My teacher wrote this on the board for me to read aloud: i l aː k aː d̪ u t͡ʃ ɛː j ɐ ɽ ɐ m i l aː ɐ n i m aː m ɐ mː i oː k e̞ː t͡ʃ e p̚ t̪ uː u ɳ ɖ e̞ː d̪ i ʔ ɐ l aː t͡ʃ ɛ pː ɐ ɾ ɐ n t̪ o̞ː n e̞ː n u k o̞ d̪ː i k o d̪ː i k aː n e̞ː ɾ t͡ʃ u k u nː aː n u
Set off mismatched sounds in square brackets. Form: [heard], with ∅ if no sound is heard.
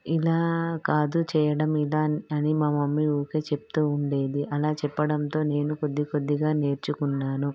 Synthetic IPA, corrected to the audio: i l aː k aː d̪ u t͡ʃ ɛː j ɐ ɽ ɐ m i l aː ɐ n i m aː m ɐ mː i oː k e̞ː t͡ʃ e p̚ t̪ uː u ɳ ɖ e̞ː d̪ i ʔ ɐ l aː t͡ʃ ɛ pː ɐ [ɽ] ɐ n t̪ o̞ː n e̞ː n u k o̞ d̪ː i k o d̪ː i [ɡ] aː n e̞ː ɾ t͡ʃ u k u nː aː n u